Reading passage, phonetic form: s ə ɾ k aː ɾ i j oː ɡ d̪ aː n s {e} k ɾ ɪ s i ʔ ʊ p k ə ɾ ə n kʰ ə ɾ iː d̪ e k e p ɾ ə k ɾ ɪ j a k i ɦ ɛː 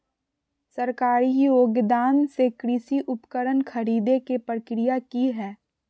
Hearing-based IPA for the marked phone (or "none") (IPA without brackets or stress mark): e